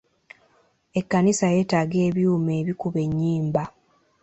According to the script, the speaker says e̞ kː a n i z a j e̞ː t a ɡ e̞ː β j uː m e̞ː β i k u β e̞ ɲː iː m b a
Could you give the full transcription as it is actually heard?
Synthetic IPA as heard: e̞ kː a n i s a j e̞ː t a ɡ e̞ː β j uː m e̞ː β i k u β e̞ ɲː iː m b a